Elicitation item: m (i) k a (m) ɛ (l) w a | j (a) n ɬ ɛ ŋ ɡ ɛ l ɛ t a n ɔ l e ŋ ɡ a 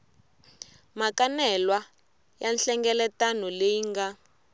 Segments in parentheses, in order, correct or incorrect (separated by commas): incorrect, incorrect, correct, correct